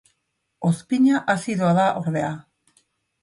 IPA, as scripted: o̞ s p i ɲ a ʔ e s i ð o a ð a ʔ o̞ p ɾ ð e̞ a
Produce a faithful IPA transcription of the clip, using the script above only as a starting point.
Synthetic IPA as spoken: o̞ s p i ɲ a ʔ a s i ð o a ð a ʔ o̞ ɾ ð e̞ a